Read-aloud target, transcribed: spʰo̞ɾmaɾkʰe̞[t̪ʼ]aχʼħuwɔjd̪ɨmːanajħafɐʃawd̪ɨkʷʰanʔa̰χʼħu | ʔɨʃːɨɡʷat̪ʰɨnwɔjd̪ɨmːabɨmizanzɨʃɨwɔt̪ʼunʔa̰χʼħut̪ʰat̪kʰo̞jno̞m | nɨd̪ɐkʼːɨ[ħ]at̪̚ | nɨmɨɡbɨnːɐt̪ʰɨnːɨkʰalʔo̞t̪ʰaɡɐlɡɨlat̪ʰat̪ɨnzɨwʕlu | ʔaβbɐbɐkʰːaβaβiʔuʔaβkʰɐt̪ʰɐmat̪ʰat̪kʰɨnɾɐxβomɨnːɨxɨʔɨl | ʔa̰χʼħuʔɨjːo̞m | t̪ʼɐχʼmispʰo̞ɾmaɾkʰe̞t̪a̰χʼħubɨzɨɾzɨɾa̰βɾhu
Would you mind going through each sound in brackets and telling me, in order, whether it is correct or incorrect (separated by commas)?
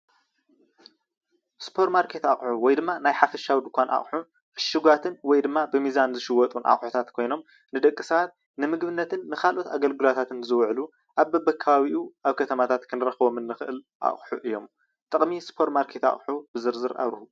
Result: incorrect, incorrect